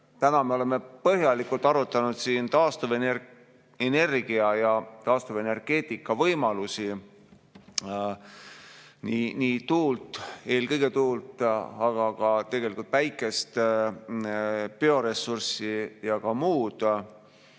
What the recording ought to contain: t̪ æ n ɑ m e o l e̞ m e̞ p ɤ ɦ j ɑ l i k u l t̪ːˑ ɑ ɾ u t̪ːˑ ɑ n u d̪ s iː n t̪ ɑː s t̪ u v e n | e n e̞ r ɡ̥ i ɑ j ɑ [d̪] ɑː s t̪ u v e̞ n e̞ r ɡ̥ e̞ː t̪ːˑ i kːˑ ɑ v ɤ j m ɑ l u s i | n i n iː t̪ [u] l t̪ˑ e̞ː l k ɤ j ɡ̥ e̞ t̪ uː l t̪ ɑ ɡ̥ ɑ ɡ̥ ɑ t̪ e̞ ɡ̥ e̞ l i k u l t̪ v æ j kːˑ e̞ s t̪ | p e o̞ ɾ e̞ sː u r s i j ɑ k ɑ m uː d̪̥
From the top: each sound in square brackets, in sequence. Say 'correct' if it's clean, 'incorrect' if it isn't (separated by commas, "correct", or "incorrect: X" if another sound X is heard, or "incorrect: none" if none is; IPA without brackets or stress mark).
incorrect: t̪, incorrect: uː